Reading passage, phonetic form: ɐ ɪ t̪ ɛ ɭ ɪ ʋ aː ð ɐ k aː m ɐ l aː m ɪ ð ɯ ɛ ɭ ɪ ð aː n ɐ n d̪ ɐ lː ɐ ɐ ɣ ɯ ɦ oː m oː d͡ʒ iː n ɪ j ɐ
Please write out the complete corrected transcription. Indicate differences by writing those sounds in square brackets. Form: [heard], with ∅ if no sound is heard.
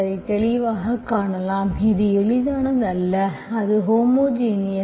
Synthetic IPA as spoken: ɐ ɪ t̪ ɛ ɭ ɪ ʋ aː [ɣ] ɐ k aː [ɳ] ɐ l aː m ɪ ð ɯ ɛ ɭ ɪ ð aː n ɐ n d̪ ɐ lː ɐ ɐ [ð] ɯ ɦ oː m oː d͡ʒ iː n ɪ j ɐ